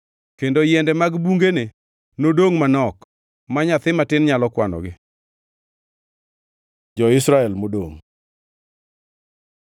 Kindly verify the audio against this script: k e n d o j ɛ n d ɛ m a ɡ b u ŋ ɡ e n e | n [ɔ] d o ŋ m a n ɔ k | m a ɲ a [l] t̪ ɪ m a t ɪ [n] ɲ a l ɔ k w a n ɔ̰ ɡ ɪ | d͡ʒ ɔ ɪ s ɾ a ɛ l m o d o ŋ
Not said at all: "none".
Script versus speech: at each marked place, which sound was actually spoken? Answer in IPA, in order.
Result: o, none, n

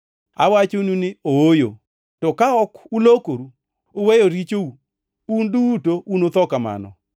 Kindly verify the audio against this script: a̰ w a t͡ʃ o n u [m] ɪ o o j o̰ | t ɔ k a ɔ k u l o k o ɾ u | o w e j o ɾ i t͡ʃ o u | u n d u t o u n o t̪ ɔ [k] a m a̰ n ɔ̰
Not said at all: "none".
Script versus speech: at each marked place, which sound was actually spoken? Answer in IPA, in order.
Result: n, k

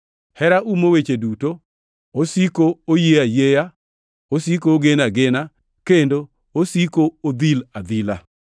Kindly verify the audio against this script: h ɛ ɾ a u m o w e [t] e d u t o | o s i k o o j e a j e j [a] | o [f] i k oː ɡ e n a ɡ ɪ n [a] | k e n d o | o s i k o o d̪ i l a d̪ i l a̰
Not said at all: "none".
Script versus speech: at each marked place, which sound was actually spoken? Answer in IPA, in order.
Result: t͡ʃ, a, s, a

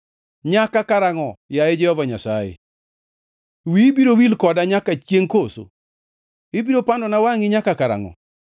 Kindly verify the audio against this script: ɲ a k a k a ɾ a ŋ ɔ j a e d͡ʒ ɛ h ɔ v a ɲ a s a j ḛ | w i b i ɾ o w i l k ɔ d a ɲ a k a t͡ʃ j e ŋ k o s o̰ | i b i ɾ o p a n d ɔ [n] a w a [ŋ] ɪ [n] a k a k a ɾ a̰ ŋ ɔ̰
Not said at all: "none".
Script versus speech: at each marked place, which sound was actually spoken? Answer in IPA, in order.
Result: n, ŋ, ɲ

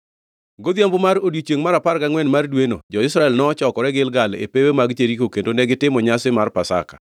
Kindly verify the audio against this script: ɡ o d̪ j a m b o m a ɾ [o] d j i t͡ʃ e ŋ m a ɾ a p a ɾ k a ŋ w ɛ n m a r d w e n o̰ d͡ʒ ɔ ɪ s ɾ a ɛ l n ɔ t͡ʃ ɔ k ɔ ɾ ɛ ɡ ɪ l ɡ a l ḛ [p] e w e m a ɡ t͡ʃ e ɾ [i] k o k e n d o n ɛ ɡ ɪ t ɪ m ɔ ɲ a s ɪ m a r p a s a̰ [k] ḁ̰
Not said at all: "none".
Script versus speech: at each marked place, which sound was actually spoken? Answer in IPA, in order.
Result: o, p, i, k

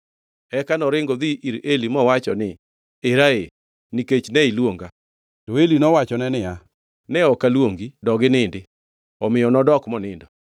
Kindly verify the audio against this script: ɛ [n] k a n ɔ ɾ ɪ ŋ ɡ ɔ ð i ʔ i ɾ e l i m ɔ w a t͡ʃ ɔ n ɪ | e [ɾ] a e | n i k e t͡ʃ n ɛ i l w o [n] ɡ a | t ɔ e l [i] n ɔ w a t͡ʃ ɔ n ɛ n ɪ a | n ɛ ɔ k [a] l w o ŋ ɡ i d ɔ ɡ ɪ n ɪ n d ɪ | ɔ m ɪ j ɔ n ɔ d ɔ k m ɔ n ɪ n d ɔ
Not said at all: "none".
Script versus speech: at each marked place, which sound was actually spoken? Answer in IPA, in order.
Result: none, ɾ, ŋ, i, a

